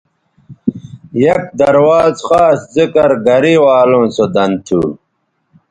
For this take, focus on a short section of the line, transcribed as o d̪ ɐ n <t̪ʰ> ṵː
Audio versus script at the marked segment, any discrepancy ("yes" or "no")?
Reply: no